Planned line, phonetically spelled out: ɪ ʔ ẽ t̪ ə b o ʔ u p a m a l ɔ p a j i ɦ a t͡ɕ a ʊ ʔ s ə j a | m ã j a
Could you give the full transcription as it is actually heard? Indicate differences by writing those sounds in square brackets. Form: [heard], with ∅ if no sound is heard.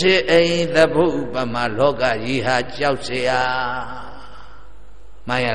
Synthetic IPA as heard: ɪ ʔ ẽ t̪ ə b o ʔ u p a m a l ɔ [k] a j i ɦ a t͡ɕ a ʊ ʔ s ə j a | m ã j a